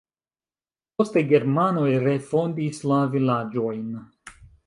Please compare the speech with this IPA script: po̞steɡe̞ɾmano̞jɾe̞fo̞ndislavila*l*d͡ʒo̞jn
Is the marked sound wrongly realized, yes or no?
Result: yes